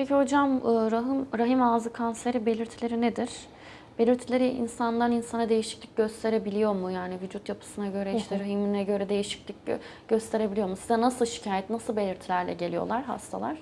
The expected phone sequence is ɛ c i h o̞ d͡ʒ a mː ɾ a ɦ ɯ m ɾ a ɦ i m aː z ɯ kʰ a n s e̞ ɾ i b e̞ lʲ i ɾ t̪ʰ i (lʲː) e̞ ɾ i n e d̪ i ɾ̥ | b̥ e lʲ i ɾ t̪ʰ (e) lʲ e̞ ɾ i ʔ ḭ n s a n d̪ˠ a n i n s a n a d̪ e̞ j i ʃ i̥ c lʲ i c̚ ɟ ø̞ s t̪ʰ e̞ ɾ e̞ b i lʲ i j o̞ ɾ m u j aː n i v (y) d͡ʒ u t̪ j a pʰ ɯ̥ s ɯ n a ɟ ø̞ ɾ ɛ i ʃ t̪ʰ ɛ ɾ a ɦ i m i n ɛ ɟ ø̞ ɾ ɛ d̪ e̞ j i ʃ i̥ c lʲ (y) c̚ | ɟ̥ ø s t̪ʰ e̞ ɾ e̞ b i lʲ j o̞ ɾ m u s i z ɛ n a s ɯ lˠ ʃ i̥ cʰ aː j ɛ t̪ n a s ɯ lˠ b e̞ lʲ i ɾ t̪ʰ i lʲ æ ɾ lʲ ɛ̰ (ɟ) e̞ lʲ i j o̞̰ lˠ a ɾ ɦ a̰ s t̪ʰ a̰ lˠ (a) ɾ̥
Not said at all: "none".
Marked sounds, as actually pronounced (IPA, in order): lʲ, i, y, i, ɟ, a

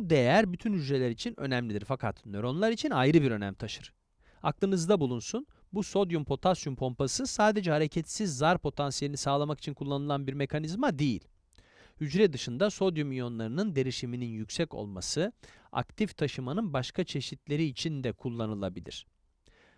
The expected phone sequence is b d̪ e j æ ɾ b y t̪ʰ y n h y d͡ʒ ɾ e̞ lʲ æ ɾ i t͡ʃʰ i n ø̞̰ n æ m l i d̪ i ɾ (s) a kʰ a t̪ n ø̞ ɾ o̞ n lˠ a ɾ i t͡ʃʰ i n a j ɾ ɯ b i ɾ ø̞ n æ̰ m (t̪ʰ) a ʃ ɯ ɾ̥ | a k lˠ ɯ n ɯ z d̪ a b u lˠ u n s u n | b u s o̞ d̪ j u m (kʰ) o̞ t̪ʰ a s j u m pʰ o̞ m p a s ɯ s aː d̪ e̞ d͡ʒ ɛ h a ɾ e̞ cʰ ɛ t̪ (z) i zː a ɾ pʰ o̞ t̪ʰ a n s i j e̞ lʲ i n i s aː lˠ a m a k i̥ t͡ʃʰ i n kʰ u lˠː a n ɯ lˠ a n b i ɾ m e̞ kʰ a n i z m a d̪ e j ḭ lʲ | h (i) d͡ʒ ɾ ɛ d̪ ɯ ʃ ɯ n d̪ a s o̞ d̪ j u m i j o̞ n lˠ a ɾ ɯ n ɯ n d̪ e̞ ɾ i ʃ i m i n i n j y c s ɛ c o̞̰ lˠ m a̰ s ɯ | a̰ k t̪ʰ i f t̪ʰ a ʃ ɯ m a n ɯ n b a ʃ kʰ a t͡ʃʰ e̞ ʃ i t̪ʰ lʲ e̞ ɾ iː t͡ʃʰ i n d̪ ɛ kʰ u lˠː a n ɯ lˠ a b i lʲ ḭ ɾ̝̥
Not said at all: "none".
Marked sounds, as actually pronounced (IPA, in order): f, t̪ʰ, pʰ, s, y

